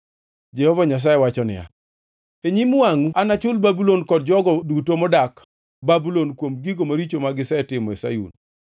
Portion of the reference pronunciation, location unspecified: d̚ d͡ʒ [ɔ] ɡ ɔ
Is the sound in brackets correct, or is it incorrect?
correct